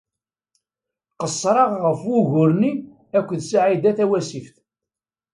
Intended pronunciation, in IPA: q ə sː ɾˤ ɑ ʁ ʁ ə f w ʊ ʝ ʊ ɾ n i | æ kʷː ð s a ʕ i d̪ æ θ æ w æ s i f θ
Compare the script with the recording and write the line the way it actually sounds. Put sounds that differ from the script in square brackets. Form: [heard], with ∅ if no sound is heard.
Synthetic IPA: q ə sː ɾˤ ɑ ʁ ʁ ə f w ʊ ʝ ʊ ɾ n i | æ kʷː ð s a ʕ i d̪ æ θ æ w æ s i f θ